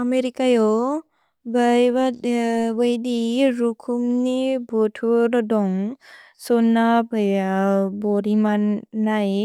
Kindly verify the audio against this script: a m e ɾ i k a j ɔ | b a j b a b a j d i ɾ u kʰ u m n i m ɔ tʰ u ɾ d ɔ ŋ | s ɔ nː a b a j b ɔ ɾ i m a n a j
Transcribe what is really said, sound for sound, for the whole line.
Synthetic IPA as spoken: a m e ɾ i k a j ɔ | b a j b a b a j d i ɾ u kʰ u m n i b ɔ tʰ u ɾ d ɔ ŋ | s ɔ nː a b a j b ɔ ɾ i m a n a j